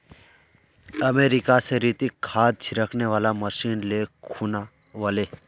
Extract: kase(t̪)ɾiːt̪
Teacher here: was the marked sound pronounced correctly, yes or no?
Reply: no